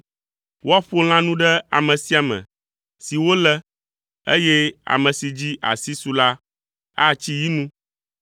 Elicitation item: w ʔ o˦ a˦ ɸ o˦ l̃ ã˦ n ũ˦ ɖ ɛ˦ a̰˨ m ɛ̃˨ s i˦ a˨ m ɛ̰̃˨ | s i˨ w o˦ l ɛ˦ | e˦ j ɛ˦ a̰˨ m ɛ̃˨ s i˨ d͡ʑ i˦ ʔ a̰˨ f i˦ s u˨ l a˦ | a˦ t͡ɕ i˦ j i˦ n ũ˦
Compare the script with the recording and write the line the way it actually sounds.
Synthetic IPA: w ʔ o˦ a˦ ɸ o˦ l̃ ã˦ n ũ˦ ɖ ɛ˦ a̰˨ m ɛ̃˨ s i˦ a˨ m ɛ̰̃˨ | s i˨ w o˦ l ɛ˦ | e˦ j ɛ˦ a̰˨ m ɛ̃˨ s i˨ d͡ʑ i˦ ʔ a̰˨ s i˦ s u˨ l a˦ | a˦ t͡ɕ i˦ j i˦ n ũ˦